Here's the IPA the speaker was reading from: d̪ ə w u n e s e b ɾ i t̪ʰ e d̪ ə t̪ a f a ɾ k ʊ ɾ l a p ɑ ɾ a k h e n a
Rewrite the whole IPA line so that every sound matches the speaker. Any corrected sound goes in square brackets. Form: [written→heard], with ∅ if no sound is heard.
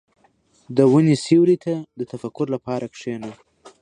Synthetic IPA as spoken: d̪ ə w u n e s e [b→w] ɾ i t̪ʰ [e→a] d̪ ə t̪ a f a [ɾ→∅] k ʊ ɾ l a p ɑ ɾ a k [h→ʂ] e n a